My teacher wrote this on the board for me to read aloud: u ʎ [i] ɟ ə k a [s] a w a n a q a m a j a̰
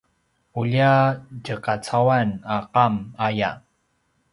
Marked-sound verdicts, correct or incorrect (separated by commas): incorrect, incorrect